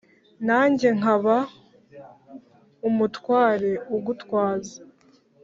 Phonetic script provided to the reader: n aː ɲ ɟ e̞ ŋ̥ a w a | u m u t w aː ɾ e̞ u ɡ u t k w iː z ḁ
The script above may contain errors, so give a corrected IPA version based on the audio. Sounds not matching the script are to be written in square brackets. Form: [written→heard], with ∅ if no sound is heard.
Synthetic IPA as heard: n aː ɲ ɟ e̞ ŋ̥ a [w→β] a | u m u t w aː ɾ e̞ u ɡ u t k w [iː→aː] z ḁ